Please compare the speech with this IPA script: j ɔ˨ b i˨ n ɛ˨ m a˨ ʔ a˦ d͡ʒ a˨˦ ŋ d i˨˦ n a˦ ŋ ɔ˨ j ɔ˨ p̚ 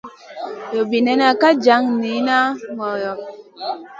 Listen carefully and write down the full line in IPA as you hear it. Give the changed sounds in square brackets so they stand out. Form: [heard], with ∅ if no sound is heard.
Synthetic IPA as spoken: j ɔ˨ b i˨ n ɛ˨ [n] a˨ [k] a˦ d͡ʒ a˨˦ ŋ [n] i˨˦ n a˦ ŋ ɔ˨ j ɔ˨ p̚